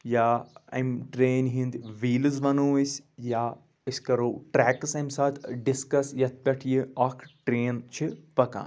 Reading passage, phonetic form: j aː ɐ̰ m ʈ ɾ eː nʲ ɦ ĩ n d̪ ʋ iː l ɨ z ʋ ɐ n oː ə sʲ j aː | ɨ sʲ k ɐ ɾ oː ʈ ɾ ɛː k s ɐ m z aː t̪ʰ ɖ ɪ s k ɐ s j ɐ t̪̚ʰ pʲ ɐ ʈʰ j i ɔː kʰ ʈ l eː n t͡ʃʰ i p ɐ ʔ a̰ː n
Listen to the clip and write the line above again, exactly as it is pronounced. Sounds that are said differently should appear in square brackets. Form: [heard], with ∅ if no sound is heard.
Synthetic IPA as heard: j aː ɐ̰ m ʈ ɾ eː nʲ ɦ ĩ n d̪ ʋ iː l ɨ z ʋ ɐ n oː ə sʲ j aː | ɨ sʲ k ɐ ɾ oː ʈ ɾ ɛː k s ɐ m [s] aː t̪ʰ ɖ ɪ s k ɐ s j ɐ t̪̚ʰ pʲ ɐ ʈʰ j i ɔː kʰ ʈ [ɾ] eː n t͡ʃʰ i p ɐ [k] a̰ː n